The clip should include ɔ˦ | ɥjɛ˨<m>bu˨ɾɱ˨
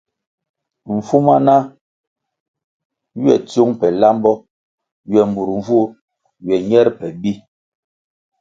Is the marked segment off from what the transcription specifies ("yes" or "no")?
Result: no